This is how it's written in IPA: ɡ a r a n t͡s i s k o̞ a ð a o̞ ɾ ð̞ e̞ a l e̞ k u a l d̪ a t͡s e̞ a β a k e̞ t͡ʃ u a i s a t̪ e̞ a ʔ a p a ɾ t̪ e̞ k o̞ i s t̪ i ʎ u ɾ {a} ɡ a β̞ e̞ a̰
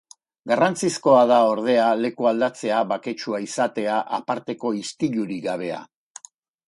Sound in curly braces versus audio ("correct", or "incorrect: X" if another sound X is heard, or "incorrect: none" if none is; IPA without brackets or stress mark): incorrect: i